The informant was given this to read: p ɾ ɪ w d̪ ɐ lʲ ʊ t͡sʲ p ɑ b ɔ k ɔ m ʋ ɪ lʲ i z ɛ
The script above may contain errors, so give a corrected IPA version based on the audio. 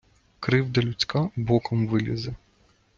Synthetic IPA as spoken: k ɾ ɪ w d̪ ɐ lʲ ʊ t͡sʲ k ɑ b ɔ k ɔ m ʋ ɪ lʲ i z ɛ